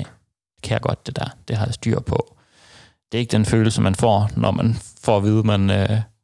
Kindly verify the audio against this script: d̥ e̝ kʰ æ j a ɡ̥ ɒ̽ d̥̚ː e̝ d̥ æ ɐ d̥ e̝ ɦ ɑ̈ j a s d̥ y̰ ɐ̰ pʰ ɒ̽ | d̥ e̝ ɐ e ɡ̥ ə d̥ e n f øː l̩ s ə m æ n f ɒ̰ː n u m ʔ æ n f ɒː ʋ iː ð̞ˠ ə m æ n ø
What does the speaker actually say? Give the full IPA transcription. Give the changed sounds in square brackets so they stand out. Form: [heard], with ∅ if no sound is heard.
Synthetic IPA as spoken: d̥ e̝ kʰ æ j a ɡ̥ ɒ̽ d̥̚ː e̝ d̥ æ ɐ d̥ e̝ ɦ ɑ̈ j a s d̥ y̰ ɐ̰ pʰ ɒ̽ | d̥ e̝ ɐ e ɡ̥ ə d̥ e n f øː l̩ s ə m æ n f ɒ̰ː n [ɒ] m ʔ æ n f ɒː ʋ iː ð̞ˠ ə m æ n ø